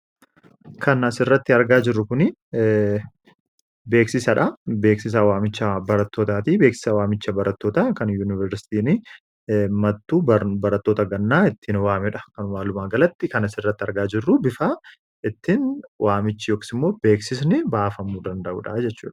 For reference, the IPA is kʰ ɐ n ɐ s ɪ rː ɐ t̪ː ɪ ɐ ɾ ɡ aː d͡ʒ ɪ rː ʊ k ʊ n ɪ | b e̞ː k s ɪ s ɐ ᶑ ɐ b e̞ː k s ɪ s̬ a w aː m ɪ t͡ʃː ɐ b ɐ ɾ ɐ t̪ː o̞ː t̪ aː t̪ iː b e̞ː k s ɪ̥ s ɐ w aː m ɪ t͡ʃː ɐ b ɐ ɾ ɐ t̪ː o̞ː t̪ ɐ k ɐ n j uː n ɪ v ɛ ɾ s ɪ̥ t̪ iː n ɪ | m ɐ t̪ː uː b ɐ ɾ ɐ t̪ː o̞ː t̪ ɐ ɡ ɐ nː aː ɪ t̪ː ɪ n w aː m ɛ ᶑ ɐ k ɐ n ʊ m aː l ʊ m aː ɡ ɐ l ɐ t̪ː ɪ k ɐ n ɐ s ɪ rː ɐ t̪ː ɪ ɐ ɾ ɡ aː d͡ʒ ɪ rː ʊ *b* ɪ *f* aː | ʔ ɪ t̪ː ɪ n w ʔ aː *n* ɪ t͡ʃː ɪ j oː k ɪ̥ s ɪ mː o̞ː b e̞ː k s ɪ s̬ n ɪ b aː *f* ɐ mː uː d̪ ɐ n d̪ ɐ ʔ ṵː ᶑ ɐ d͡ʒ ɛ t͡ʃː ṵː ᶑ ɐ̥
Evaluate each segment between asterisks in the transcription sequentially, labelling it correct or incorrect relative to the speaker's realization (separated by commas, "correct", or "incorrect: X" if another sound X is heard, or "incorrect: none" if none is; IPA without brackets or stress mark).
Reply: correct, correct, incorrect: m, correct